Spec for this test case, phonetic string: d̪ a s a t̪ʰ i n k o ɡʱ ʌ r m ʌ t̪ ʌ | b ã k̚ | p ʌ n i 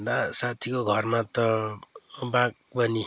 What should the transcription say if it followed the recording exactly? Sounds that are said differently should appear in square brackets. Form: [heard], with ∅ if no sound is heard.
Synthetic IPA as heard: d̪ a s a t̪ʰ i [∅] k o ɡʱ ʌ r m [a] t̪ ʌ | b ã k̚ | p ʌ n i